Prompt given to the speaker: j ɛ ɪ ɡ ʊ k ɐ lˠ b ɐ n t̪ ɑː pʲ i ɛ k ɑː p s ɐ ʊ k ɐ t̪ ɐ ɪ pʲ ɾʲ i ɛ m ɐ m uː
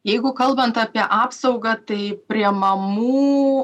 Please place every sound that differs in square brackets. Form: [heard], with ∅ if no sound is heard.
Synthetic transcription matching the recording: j ɛ ɪ ɡ ʊ k ɐ lˠ b ɐ n t̪ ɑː pʲ i ɛ [ʔ] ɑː p s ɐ ʊ [ɡ] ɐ t̪ ɐ ɪ pʲ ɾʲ i ɛ m ɐ m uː